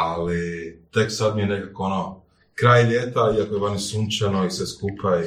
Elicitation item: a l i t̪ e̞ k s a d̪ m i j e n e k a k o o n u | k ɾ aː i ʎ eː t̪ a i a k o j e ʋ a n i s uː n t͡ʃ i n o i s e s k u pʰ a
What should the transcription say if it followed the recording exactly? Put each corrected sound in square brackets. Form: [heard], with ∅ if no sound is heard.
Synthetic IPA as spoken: a l i t̪ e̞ k s a d̪ m i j e n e k a k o o n [o] | k ɾ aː [j] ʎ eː t̪ a i a k o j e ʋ a n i s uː n t͡ʃ [a] n o i s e s k u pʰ a